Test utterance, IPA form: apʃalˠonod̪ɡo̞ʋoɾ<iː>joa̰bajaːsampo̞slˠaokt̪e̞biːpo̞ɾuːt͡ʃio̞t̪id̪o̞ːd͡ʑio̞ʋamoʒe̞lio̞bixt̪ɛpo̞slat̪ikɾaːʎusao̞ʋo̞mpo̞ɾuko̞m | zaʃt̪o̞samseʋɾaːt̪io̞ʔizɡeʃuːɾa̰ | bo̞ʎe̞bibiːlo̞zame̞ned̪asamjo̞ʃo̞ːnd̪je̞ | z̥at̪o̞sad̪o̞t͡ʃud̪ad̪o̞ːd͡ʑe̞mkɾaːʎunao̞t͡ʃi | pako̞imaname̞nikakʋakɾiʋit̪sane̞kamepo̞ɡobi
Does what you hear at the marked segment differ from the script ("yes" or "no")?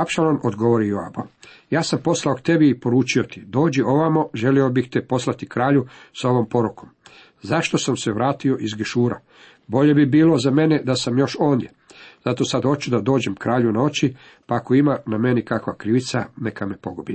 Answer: yes